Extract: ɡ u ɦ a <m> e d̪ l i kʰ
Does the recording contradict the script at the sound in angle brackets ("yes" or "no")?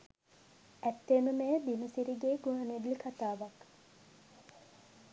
yes